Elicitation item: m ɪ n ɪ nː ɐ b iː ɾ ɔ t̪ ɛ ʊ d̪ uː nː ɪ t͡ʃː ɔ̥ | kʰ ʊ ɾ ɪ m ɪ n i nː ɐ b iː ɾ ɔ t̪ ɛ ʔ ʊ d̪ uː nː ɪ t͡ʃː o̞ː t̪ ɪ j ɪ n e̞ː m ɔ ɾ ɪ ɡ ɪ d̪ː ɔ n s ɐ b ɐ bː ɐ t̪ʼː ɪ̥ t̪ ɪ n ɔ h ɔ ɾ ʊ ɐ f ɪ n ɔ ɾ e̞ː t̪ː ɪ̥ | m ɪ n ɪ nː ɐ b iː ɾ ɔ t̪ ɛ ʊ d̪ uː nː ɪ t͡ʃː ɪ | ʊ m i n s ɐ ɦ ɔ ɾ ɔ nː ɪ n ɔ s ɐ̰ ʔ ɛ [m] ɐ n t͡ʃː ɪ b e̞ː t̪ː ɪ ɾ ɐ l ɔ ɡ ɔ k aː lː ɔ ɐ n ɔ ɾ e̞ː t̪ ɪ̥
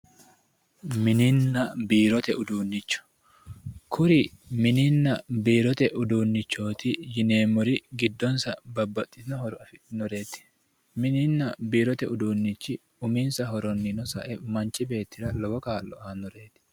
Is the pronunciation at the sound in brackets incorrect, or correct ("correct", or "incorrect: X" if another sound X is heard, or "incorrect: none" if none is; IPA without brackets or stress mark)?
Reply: correct